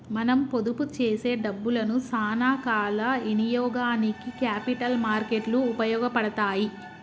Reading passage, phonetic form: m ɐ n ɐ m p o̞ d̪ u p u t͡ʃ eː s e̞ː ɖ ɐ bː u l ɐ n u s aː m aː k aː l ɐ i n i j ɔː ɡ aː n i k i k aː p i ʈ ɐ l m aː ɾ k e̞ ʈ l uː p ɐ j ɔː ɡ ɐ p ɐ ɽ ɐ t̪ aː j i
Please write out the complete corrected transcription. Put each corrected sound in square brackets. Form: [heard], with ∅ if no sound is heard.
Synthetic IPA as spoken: m ɐ n ɐ m p o̞ d̪ u p u t͡ʃ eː s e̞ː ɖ ɐ bː u l ɐ n u s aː [n] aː k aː l ɐ i n i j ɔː ɡ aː n i k i k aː p i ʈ ɐ l m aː ɾ k e̞ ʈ l uː p ɐ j ɔː ɡ ɐ p ɐ ɽ ɐ t̪ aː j i